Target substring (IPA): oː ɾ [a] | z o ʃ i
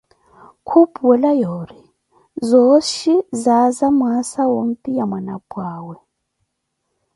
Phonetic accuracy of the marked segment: incorrect: i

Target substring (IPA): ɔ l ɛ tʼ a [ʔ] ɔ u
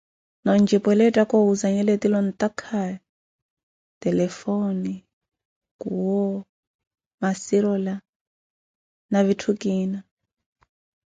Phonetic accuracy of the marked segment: incorrect: k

